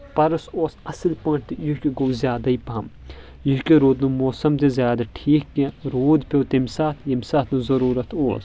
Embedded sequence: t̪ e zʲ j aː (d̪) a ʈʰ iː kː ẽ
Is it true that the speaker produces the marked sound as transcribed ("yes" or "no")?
yes